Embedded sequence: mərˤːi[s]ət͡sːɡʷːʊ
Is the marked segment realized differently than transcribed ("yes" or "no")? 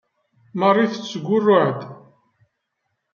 yes